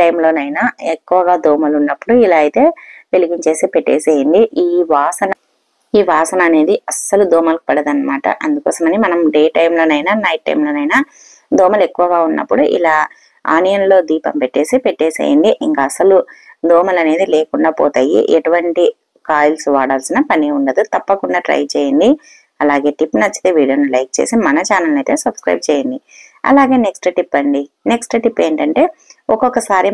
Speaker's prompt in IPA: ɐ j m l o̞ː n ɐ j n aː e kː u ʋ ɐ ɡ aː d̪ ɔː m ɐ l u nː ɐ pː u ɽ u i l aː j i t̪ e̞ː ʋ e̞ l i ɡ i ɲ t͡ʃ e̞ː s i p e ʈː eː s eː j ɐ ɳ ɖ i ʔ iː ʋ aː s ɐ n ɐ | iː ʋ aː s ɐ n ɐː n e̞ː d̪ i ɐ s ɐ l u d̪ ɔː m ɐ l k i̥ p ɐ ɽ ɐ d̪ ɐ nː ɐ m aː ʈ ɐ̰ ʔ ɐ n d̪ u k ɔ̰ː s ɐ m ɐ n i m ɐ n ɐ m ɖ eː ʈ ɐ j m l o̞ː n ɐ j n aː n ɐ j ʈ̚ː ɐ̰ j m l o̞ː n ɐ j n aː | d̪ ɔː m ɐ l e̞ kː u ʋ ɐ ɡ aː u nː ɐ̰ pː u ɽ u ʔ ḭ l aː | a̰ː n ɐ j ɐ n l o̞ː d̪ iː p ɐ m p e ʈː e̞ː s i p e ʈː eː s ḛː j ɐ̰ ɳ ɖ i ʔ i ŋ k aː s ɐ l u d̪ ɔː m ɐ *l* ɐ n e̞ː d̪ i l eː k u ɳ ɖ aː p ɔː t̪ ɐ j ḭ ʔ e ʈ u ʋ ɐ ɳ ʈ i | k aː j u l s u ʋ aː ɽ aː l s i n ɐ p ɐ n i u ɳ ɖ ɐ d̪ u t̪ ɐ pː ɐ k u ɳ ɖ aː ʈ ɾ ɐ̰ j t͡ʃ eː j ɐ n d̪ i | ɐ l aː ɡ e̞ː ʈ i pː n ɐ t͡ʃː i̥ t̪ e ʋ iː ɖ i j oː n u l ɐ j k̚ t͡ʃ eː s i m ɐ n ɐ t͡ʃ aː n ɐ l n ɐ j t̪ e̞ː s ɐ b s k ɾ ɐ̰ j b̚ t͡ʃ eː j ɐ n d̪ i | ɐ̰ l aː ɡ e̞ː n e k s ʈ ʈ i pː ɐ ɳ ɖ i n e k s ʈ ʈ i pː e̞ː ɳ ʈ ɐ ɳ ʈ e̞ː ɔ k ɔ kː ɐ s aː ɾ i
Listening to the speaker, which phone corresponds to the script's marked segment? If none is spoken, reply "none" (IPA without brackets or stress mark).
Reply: l